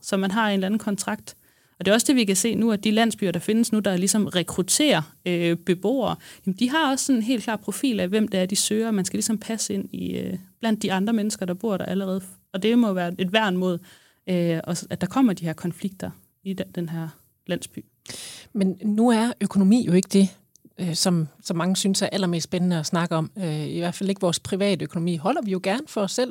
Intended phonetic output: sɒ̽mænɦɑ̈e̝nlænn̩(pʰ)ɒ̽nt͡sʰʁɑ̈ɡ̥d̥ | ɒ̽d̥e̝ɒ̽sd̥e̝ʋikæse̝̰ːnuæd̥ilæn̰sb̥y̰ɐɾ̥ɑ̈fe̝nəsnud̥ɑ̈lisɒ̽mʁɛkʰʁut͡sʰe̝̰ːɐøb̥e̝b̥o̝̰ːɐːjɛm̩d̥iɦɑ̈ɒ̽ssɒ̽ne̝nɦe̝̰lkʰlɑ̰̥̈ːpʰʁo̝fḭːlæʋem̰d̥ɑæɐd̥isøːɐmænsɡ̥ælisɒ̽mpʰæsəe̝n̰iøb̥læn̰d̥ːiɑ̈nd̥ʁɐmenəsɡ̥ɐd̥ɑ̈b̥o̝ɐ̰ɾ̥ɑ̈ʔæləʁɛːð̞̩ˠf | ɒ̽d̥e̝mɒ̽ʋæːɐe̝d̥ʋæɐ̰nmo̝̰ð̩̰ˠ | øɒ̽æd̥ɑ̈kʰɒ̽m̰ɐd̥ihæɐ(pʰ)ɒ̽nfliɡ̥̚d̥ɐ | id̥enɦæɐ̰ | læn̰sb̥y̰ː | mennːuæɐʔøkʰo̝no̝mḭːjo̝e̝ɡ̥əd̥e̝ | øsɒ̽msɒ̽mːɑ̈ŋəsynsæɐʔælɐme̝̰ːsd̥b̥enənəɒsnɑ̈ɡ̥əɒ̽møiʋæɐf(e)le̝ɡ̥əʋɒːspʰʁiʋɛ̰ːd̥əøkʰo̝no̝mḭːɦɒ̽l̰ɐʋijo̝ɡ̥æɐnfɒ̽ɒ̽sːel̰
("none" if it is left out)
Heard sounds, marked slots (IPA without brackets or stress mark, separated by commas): kʰ, kʰ, æ